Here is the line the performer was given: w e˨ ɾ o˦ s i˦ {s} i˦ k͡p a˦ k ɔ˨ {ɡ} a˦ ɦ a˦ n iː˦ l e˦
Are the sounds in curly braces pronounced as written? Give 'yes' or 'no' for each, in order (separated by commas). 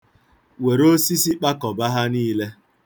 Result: yes, no